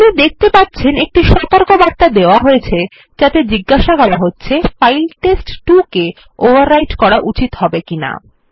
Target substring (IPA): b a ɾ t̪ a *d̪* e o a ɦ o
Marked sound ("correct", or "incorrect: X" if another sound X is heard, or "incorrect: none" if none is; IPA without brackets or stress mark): correct